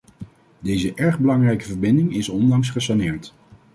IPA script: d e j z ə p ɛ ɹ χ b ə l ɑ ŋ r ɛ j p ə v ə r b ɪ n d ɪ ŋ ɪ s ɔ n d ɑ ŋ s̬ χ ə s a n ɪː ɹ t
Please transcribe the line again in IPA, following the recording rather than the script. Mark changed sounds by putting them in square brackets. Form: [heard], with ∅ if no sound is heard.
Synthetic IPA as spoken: d e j z ə [ʔ] ɛ ɹ χ b ə l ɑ ŋ r ɛ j [k] ə v ə [ɹ] b ɪ n d ɪ ŋ ɪ s ɔ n d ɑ ŋ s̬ χ ə s a n ɪː ɹ t